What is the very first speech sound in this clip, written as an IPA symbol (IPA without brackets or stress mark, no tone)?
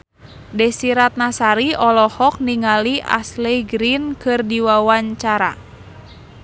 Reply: d